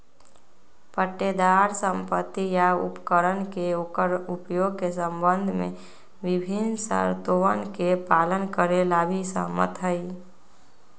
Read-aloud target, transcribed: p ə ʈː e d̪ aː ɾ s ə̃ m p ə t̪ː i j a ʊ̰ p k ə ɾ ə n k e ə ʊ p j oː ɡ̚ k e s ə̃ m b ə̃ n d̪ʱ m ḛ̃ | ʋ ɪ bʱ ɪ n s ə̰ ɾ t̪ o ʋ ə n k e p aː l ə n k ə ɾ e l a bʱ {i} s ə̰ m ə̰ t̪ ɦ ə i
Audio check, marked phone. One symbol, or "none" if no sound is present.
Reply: i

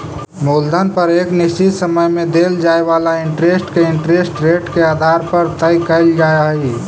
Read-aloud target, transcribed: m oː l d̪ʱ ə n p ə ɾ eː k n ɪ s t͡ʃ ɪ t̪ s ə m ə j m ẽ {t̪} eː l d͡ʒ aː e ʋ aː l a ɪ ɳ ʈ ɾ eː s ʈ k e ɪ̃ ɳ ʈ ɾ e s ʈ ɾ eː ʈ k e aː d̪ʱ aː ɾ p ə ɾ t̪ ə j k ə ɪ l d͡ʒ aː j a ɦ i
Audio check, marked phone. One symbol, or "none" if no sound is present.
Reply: d̪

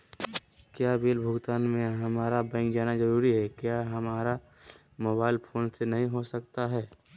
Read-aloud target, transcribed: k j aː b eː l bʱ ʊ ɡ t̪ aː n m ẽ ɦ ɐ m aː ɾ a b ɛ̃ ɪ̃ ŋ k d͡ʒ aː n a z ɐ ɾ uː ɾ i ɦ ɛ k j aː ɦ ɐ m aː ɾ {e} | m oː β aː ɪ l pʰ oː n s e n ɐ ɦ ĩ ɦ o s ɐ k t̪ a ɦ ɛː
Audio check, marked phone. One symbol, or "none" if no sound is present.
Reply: a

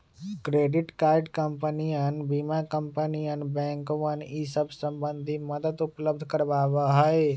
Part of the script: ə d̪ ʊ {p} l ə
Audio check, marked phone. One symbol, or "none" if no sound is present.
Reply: p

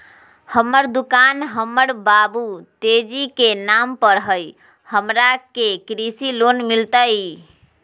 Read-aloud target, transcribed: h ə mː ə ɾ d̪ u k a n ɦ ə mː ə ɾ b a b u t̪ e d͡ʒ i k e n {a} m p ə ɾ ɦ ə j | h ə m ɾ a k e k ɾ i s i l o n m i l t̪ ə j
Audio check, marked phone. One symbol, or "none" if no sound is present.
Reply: a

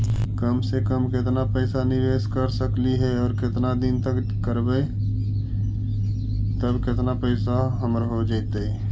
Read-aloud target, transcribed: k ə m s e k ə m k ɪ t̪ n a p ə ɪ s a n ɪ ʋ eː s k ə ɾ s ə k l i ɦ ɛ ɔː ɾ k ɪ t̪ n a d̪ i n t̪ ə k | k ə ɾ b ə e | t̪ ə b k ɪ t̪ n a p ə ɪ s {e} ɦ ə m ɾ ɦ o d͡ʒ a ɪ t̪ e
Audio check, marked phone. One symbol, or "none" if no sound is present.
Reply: a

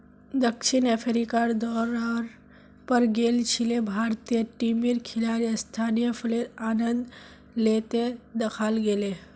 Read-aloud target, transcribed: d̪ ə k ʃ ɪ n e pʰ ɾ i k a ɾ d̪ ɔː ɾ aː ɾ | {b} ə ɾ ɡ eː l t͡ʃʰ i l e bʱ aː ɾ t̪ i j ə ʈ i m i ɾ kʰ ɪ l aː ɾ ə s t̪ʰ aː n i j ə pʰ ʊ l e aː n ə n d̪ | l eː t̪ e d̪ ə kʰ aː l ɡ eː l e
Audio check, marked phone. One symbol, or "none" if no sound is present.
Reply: p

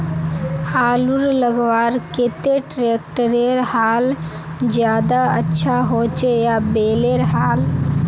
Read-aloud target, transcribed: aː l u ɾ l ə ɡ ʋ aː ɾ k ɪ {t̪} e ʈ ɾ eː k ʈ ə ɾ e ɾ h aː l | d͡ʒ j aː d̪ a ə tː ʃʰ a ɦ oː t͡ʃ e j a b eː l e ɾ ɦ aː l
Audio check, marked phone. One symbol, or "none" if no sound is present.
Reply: t̪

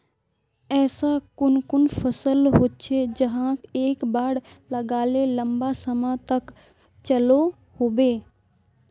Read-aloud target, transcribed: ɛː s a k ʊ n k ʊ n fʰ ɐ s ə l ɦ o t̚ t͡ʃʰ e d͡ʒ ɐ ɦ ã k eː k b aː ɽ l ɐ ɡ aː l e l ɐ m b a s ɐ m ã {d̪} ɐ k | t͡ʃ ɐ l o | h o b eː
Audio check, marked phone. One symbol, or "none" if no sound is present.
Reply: t̪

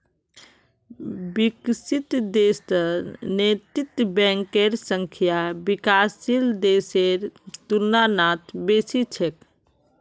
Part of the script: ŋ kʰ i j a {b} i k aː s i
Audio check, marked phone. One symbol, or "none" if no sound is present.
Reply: b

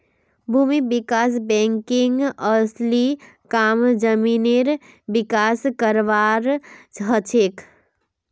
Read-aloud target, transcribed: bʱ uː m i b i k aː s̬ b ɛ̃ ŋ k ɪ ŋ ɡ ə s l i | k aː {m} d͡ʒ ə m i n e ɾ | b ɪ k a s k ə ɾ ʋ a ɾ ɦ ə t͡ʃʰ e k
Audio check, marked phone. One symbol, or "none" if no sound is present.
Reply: m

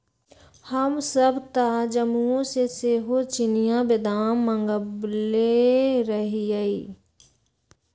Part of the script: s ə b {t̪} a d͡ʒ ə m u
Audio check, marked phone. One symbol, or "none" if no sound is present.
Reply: t̪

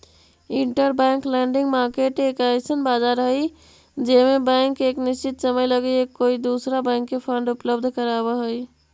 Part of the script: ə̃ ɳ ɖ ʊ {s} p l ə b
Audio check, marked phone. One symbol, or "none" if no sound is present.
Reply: none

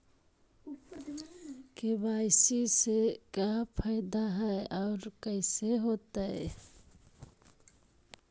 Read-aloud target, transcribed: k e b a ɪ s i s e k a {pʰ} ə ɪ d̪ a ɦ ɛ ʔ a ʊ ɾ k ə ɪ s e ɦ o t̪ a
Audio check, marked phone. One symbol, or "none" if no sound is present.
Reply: pʰ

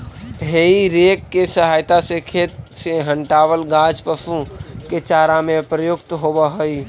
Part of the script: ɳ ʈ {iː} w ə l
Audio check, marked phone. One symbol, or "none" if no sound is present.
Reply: aː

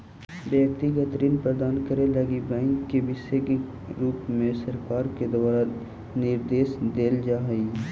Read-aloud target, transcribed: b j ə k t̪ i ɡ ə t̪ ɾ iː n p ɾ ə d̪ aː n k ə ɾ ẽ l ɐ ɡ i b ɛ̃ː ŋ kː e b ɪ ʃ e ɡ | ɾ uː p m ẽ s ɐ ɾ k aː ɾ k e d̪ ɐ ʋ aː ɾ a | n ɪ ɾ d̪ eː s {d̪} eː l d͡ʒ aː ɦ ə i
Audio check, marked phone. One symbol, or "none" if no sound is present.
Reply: d̪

